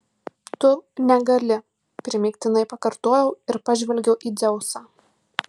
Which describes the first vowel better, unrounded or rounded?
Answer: rounded